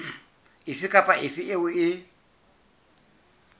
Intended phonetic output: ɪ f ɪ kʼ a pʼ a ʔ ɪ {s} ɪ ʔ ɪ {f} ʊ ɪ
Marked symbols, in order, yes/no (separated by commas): no, no